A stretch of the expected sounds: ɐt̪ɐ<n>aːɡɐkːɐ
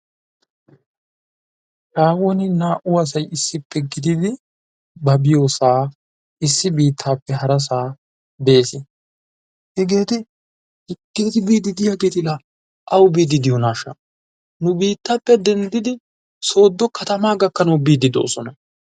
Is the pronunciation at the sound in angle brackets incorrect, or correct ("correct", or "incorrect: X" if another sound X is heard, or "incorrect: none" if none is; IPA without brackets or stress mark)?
incorrect: m